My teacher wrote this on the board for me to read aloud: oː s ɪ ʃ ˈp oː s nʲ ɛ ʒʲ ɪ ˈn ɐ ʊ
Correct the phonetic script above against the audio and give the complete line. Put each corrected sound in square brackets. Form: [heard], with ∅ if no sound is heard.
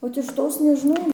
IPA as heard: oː [t] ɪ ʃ [ˈt] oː s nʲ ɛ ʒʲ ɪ ˈn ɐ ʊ